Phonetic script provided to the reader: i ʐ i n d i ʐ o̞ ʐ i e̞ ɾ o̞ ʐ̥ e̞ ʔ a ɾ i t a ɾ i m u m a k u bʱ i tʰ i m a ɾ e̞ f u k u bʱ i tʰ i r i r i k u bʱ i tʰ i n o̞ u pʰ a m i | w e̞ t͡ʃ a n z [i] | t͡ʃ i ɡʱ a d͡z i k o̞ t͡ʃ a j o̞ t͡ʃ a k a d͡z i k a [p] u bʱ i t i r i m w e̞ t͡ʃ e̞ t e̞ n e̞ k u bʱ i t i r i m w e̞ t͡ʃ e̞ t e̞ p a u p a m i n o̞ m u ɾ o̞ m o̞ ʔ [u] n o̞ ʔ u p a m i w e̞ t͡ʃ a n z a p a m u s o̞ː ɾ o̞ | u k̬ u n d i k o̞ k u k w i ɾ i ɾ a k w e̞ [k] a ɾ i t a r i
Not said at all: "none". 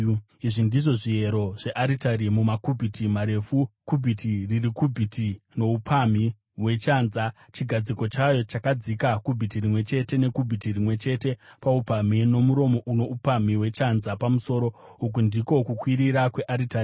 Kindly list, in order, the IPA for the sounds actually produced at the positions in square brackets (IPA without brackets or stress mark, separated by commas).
a, k, u, ʔ